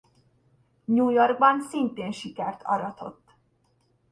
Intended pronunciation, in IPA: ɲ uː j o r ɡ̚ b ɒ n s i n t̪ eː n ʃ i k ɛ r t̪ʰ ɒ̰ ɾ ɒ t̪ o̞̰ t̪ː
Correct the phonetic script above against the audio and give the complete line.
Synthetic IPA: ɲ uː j o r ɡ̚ b ɒ n s i n t̪ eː n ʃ i k ɛ r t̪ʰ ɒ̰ ɾ ɒ t̪ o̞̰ t̪ː